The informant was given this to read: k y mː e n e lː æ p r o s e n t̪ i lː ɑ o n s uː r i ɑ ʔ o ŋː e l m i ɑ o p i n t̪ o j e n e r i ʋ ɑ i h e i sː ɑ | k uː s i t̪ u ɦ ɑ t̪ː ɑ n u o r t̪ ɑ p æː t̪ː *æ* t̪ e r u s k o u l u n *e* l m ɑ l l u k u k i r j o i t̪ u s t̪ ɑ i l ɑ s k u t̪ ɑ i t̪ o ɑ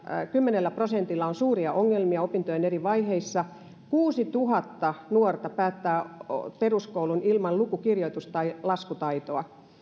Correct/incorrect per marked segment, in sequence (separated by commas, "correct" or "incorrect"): incorrect, incorrect